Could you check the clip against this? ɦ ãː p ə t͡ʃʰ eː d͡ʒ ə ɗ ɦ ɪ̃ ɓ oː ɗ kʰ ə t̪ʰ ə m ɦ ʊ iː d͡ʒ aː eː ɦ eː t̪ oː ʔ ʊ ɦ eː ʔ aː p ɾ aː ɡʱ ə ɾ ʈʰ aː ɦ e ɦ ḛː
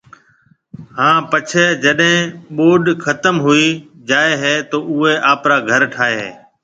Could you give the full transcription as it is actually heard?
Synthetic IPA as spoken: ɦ ãː p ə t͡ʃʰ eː d͡ʒ ə ɗ ɦ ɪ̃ ɓ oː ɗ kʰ ə t̪ ə m ɦ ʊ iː d͡ʒ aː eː ɦ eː t̪ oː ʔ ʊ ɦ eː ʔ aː p ɾ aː ɡʱ ə ɾ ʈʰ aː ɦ e ɦ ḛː

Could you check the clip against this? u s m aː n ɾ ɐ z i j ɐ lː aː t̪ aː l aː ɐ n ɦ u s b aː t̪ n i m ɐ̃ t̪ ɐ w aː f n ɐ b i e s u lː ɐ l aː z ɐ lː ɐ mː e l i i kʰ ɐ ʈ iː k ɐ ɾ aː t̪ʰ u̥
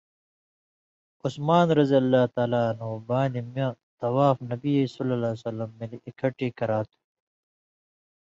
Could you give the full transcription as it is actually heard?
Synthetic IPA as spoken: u s m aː n ɾ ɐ z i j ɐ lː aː t̪ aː l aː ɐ n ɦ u b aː n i m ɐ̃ t̪ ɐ w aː f n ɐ b i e s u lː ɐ l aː s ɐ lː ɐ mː e l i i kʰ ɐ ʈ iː k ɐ ɾ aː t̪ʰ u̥

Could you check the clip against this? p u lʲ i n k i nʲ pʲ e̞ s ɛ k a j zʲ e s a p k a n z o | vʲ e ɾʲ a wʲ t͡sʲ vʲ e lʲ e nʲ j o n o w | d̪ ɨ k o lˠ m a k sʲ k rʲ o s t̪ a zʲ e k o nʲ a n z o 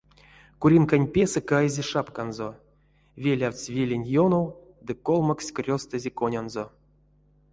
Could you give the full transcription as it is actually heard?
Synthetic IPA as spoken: k u ɾʲ i n k a nʲ pʲ e̞ s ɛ k a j zʲ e ʂ a p k a n z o | vʲ e lʲ a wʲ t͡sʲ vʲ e lʲ e nʲ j o n o w | d̪ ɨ k o lˠ m a k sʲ k rʲ o s t̪ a zʲ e k o nʲ a n z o

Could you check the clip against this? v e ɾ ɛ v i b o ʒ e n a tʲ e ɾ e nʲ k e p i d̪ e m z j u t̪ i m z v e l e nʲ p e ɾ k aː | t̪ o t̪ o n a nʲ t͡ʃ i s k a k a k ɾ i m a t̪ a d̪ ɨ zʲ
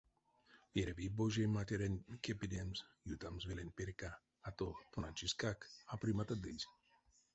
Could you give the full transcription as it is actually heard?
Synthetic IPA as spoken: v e ɾ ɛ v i b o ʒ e m a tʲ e ɾ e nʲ k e p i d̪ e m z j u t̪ a m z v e l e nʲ p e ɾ k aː | t̪ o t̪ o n a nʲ t͡ʃ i s k a k a p ɾ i m a t̪ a d̪ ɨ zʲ

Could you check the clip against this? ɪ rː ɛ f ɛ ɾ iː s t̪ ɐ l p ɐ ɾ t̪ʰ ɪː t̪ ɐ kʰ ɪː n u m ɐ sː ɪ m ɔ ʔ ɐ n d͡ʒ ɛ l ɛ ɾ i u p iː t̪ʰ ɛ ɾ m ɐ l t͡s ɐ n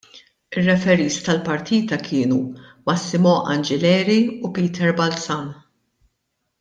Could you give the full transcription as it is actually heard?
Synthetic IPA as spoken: ɪ rː ɛ f ɛ ɾ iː s t̪ ɐ l p ɐ ɾ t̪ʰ iː t̪ ɐ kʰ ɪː n u m ɐ sː ɪ m ɔ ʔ ɐ n d͡ʒ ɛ l ɛː ɾ i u p iː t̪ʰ ɛ ɾ b ɐ l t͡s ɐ n

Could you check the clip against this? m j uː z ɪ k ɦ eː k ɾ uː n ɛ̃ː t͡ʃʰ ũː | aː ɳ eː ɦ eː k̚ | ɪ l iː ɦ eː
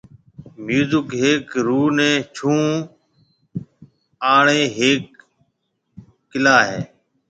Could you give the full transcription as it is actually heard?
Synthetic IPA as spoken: m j uː z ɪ k ɦ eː k ɾ uː n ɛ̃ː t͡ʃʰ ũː | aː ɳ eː ɦ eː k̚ | ɪ l aː ɦ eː

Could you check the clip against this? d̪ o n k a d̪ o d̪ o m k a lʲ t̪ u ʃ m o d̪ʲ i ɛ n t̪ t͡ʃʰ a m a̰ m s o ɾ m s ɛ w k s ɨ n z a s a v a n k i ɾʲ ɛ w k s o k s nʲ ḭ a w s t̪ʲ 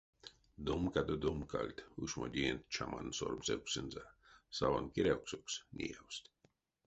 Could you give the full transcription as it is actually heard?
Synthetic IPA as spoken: d̪ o m k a d̪ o d̪ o m k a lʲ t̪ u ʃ m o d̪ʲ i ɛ n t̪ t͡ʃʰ a m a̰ n s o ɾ m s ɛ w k s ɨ n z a s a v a n k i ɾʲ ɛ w k s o k s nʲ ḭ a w s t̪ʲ

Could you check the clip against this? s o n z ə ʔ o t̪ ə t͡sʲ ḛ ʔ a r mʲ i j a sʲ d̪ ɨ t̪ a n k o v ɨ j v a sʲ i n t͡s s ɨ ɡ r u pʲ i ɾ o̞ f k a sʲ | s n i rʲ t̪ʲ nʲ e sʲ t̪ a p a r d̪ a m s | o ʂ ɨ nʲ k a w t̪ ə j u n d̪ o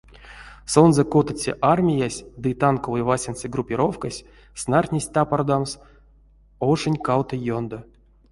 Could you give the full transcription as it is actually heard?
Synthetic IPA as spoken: s o n z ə k o t̪ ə t͡sʲ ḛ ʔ a r mʲ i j a sʲ d̪ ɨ t̪ a n k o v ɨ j v a sʲ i n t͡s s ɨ ɡ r u pʲ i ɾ o̞ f k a sʲ | s n a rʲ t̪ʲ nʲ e sʲ t̪ a p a r d̪ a m s | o ʂ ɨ nʲ k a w t̪ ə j o n d̪ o

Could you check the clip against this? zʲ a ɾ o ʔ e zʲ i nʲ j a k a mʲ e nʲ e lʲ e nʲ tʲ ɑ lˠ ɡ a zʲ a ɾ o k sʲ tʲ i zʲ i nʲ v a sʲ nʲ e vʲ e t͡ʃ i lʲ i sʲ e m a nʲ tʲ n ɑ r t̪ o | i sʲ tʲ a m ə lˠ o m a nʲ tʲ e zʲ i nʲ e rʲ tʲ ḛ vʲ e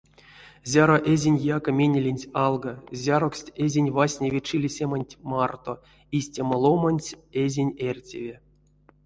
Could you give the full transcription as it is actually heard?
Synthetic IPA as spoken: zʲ a ɾ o ʔ e zʲ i nʲ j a k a mʲ e nʲ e lʲ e nʲ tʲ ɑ lˠ ɡ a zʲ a ɾ o k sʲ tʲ e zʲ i nʲ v a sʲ nʲ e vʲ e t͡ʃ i lʲ i sʲ e m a nʲ tʲ m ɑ r t̪ o | i sʲ tʲ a m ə lˠ o m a nʲ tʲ e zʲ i nʲ e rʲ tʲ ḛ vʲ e

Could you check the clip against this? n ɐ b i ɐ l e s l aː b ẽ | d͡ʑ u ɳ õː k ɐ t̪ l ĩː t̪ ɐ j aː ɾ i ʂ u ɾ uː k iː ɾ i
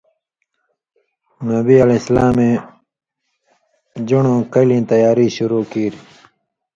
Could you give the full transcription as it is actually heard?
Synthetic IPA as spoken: n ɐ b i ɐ l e s l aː m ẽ | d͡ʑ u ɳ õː k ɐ l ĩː t̪ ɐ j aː ɾ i ɕ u ɾ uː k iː ɾ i

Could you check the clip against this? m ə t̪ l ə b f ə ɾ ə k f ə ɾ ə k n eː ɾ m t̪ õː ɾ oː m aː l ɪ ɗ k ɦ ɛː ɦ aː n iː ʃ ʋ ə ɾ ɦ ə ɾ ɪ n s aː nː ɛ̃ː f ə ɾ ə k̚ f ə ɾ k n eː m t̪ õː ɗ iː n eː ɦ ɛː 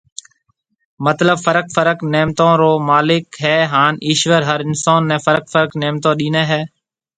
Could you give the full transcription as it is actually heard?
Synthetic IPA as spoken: m ə t̪ l ə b f ə ɾ ə k f ə ɾ ə k n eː m t̪ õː ɾ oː m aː l ɪ k ɦ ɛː ɦ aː n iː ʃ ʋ ə ɾ ɦ ə ɾ ɪ n s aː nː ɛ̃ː f ə ɾ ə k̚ f ə ɾ k n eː m t̪ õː ɗ iː n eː ɦ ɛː

